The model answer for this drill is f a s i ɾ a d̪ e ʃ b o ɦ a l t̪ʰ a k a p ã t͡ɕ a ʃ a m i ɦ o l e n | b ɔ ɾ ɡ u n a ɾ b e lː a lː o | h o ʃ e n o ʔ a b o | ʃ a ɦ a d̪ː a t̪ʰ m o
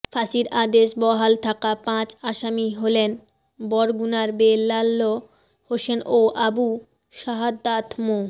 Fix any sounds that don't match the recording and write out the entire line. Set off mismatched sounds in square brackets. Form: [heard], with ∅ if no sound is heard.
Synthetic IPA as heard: f a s i ɾ a d̪ e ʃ b [ɔ] ɦ a l t̪ʰ a k a p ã t͡ɕ a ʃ a m i ɦ o l e n | b ɔ ɾ ɡ u n a ɾ b e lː a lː o | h o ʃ e n o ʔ a b [u] | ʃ a ɦ a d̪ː a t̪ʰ m o